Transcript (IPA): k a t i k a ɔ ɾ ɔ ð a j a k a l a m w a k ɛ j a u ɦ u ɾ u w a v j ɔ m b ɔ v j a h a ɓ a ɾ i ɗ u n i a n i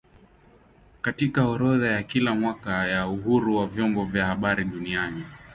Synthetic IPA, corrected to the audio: k a t i k a ɔ ɾ ɔ ð a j a k i l a m w a k a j a u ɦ u ɾ u w a v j ɔ m b ɔ v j a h a ɓ a ɾ i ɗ u n i a n i